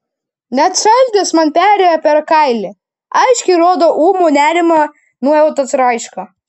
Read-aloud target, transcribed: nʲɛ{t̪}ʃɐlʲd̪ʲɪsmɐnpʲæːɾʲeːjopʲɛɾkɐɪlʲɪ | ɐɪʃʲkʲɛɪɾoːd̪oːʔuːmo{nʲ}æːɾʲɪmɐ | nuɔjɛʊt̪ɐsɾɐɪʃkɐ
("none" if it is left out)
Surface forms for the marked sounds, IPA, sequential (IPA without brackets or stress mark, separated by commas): t̪, nʲ